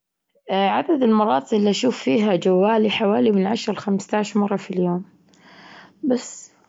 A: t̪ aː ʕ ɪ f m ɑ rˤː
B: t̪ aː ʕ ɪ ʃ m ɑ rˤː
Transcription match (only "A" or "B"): B